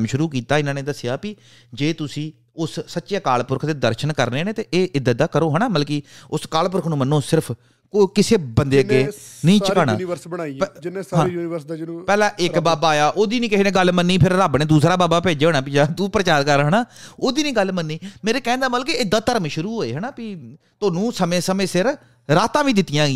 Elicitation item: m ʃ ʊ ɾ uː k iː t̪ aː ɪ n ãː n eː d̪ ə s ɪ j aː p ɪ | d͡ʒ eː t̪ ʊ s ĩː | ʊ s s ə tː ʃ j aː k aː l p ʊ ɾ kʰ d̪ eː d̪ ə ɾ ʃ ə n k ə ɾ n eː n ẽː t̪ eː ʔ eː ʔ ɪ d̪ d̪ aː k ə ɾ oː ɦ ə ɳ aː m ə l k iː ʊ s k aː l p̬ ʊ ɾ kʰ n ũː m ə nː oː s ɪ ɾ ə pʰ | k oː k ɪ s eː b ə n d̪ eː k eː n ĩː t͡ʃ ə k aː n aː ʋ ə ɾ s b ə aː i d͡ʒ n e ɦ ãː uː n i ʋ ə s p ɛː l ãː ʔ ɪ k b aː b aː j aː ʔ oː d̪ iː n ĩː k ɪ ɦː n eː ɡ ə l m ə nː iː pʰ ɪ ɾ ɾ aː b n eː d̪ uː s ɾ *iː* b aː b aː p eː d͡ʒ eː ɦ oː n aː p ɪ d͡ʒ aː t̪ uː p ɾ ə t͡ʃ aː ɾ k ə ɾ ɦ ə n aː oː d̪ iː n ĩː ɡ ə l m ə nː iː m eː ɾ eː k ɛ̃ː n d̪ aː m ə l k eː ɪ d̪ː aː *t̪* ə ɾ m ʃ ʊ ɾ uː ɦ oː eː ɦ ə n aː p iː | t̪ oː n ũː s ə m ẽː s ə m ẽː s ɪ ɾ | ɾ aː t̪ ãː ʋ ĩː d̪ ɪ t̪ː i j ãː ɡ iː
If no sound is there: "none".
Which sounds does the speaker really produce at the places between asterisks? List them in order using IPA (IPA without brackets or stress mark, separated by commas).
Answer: aː, t̪